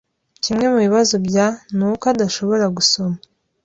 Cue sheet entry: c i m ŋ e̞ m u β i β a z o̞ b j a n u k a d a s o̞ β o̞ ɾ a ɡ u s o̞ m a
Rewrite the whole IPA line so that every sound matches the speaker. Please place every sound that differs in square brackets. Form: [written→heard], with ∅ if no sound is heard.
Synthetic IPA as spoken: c i m ŋ e̞ m u β i β a z o̞ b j a n u k a d a [s→ʃ] o̞ β o̞ ɾ a ɡ u s o̞ m a